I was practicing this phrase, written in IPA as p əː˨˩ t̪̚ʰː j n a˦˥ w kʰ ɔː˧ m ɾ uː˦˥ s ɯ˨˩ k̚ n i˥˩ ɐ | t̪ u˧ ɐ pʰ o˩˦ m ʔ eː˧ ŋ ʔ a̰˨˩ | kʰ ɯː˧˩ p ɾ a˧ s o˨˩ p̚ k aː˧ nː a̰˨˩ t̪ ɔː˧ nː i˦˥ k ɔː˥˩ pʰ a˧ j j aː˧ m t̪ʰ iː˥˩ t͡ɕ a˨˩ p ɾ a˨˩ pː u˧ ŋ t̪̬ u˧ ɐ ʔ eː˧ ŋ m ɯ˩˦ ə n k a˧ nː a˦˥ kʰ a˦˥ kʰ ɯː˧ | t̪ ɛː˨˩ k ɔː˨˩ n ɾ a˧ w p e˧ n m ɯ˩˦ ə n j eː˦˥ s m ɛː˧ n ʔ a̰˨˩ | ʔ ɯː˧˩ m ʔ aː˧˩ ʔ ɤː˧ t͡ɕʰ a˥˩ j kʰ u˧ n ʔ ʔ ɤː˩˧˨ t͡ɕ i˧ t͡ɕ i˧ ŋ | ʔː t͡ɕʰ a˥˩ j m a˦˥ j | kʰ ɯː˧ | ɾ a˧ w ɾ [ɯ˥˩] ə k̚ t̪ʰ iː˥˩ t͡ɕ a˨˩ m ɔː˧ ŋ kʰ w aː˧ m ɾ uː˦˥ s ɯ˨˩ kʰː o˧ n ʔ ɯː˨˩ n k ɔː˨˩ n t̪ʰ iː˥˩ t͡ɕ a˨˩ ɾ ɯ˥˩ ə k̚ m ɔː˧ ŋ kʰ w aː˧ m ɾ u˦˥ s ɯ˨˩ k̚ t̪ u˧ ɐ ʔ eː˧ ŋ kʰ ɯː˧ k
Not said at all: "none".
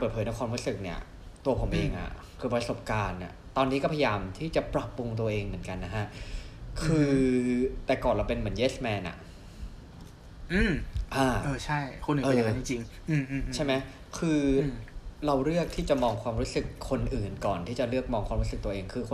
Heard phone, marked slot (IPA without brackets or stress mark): ɯ˥˩